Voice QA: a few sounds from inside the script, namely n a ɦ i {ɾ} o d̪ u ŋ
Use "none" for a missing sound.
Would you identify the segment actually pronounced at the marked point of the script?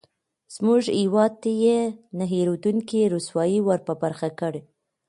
ɾ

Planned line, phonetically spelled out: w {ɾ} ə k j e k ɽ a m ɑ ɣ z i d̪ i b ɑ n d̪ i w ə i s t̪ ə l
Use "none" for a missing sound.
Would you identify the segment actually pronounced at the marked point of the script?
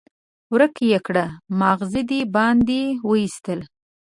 ɾ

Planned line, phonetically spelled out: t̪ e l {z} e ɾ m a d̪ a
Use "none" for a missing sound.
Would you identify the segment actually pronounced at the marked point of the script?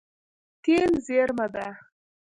z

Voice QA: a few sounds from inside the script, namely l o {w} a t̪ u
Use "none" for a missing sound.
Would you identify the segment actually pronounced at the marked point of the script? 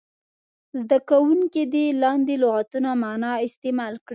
ɣ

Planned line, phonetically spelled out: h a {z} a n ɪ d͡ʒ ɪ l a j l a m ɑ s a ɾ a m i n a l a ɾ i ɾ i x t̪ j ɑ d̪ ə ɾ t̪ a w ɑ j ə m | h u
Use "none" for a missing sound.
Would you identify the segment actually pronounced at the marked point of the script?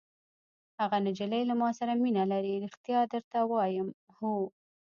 ɣ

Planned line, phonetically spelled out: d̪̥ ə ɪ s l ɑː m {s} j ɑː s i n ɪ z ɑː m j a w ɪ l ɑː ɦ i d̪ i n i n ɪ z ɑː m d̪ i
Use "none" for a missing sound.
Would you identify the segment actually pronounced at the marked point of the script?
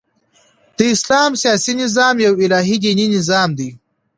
s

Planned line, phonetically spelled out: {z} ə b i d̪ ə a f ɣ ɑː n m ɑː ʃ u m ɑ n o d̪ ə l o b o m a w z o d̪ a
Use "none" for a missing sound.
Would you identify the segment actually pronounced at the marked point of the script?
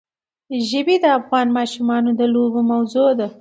ʒ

